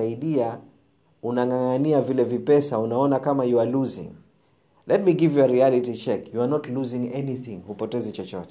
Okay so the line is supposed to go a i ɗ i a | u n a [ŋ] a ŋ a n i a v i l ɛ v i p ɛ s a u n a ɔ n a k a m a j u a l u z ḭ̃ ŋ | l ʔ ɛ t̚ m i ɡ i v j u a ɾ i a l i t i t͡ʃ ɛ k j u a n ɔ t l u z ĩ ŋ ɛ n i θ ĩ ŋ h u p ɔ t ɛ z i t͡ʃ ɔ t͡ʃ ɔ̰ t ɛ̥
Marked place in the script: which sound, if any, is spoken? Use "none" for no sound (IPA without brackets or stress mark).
ŋ